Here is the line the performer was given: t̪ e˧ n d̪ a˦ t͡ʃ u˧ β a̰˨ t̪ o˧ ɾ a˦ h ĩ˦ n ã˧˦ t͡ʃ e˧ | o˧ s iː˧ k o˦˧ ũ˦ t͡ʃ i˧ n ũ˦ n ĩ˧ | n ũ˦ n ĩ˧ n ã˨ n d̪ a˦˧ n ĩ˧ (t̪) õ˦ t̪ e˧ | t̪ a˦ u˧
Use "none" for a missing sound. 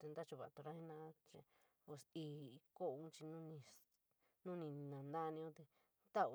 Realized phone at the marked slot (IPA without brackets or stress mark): none